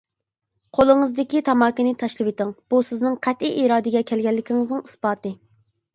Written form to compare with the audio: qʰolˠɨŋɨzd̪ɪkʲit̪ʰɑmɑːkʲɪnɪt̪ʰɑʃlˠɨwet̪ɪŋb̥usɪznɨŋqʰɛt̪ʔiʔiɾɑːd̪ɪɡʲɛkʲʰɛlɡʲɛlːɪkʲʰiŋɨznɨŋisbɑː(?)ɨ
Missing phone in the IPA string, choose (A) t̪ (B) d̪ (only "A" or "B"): A